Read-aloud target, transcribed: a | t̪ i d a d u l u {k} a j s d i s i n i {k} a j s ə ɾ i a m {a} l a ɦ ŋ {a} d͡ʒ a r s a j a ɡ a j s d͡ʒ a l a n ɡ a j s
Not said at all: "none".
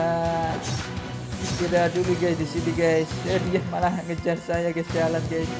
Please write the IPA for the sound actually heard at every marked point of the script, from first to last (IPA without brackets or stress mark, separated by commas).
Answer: ɡ, ɡ, a, ə